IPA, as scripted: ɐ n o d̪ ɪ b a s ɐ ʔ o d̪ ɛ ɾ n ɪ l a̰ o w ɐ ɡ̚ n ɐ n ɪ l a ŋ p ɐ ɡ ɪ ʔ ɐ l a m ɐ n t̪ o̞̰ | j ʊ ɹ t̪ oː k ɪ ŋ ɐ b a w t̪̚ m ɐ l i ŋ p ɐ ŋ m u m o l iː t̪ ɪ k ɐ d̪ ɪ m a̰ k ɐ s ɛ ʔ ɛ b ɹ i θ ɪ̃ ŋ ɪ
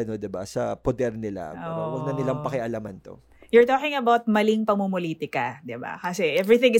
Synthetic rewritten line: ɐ n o d̪ ɪ b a s ɐ p o d̪ ɛ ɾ n ɪ l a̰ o w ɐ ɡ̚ n ɐ n ɪ l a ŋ p ɐ k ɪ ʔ ɐ l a m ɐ n t̪ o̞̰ | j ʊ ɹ t̪ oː k ɪ ŋ ɐ b a w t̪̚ m ɐ l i ŋ p ɐ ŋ m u m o l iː t̪ ɪ k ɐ d̪ ɪ b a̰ k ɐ s ɛ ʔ ɛ v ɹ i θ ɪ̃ ŋ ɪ